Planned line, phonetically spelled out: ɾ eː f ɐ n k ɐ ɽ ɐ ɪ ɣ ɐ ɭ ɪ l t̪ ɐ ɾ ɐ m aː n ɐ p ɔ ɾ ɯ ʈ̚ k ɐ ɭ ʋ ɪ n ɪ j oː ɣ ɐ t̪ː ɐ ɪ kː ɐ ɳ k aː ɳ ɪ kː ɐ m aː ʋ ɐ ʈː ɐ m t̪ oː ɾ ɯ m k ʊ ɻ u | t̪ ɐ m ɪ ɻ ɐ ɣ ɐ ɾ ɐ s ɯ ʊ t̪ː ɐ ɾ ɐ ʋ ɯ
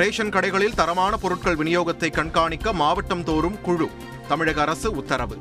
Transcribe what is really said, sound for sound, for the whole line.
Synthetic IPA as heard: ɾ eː ʂ ɐ n k ɐ ɽ ɐ ɪ ɣ ɐ ɭ ɪ l t̪ ɐ ɾ ɐ m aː n ɐ p ɔ ɾ ɯ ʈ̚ k ɐ ɭ ʋ ɪ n ɪ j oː ɣ ɐ t̪ː ɐ ɪ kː ɐ ɳ k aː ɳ ɪ kː ɐ m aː ʋ ɐ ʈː ɐ m t̪ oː ɾ ɯ m k ʊ ɻ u | t̪ ɐ m ɪ ɻ ɐ ɣ ɐ ɾ ɐ s ɯ ʊ t̪ː ɐ ɾ ɐ ʋ ɯ